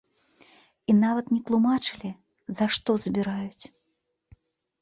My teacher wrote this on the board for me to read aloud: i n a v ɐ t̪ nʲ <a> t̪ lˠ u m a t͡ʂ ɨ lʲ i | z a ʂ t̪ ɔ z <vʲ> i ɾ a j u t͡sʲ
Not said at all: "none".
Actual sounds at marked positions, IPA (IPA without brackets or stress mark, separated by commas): ɛ, bʲ